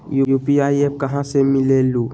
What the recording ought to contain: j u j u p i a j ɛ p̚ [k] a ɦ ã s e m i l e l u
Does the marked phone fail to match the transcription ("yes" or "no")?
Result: no